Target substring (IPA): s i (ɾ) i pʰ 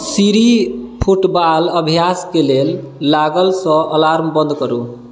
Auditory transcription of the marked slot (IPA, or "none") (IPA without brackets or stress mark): ɾ